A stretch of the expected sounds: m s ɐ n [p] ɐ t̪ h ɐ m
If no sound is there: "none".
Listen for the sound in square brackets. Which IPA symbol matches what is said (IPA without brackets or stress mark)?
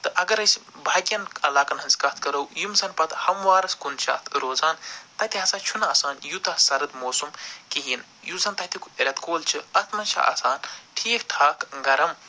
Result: p